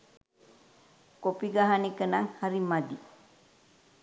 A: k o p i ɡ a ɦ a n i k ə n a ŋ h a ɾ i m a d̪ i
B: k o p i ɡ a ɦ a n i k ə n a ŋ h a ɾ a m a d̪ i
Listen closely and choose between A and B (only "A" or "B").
A